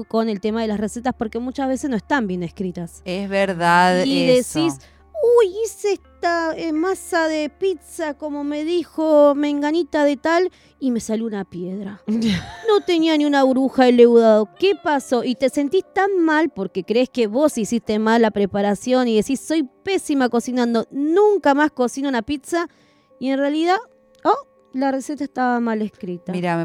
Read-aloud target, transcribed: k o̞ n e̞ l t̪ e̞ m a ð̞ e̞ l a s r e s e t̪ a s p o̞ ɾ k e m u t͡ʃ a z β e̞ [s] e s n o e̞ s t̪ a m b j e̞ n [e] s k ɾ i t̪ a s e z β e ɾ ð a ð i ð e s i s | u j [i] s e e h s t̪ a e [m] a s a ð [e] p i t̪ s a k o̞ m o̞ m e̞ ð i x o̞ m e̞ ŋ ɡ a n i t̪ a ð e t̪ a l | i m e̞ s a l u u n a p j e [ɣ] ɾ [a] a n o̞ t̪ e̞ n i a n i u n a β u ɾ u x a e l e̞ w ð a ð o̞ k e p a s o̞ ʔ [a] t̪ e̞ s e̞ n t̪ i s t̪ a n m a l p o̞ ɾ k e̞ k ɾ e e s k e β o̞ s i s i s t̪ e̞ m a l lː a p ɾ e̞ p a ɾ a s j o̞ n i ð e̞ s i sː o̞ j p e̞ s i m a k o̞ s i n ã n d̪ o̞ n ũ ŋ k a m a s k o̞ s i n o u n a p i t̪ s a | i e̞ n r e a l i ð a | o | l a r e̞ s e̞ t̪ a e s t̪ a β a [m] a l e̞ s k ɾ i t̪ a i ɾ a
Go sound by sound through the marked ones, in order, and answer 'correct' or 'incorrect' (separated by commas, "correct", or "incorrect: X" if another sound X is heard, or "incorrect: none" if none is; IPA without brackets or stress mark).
correct, correct, correct, correct, correct, incorrect: ð, correct, incorrect: i, correct